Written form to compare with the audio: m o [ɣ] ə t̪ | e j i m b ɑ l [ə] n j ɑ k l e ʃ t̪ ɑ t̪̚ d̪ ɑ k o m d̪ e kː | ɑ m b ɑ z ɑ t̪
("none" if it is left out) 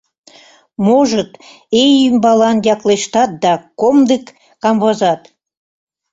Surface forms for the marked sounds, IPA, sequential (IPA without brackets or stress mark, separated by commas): ʒ, ɑ